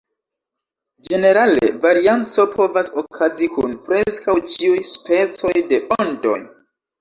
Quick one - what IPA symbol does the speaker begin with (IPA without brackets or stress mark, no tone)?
d͡ʒ